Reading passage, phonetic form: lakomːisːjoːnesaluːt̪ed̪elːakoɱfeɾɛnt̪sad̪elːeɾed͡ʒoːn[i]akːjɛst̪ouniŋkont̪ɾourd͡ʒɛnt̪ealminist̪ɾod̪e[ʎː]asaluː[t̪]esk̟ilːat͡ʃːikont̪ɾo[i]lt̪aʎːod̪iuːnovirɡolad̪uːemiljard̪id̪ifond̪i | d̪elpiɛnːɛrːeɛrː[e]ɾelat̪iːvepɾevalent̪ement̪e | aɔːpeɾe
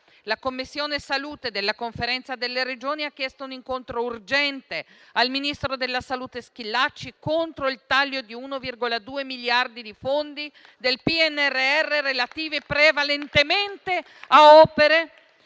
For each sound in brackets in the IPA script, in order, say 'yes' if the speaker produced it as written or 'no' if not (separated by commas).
yes, no, yes, yes, yes